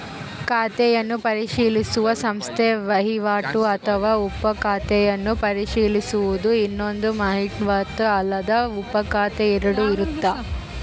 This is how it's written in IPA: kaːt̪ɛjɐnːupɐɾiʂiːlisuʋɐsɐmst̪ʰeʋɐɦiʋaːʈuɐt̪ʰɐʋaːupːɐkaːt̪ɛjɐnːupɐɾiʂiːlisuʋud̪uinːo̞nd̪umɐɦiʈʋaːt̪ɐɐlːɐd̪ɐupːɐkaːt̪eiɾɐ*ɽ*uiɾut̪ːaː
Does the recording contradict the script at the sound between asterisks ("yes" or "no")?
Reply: no